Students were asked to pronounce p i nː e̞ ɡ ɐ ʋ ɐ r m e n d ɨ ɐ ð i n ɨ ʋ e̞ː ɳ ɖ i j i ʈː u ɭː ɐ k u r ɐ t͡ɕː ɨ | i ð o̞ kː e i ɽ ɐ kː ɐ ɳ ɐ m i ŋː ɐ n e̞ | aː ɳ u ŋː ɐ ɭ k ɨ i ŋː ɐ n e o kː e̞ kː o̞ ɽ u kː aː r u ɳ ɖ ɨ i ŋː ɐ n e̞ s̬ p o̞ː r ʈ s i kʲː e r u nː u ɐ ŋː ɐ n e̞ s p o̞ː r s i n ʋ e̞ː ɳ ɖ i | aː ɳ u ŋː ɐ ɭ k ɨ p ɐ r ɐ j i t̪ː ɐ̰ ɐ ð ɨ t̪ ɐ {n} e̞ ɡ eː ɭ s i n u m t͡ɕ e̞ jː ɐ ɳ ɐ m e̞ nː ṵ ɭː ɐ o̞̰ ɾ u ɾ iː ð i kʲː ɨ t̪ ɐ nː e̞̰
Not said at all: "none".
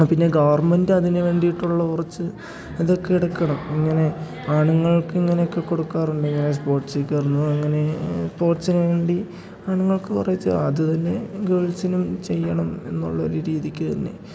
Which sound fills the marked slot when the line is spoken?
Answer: nː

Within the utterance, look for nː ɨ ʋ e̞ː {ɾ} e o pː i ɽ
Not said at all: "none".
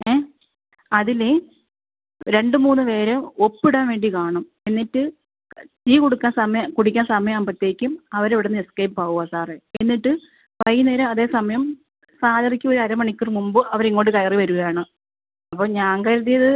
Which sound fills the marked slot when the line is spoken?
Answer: ɾ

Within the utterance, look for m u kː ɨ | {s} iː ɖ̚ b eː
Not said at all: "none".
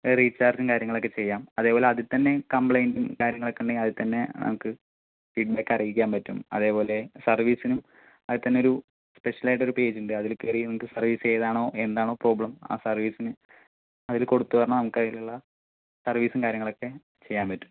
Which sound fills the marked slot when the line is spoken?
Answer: f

